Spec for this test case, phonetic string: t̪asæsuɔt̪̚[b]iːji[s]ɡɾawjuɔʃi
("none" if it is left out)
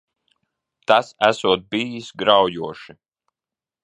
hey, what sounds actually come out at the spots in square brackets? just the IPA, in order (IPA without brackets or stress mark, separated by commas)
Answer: b, s